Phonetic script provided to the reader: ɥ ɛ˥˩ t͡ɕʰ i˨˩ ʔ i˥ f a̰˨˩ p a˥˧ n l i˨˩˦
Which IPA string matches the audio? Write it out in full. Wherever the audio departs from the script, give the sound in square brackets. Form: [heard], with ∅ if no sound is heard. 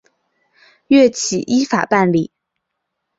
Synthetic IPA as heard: ɥ ɛ˥˩ t͡ɕʰ i˨˩ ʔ i˥ f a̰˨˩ p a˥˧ n l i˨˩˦